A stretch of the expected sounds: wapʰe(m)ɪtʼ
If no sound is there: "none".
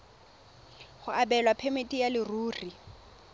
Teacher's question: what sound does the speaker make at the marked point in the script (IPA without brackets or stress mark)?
m